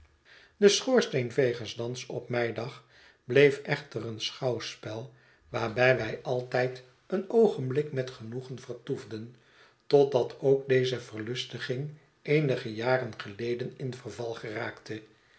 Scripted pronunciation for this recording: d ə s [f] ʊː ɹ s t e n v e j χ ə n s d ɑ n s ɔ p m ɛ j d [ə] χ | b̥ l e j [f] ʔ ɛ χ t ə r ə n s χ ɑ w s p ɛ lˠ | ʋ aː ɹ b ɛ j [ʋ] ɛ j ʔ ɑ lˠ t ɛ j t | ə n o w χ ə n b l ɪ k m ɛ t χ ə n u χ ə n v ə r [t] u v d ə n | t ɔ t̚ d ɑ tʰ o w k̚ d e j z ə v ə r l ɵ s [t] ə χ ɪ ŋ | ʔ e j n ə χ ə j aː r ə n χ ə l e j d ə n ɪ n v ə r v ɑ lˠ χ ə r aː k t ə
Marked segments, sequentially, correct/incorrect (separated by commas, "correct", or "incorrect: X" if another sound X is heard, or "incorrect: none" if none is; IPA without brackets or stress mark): incorrect: χ, incorrect: ɑ, correct, correct, correct, correct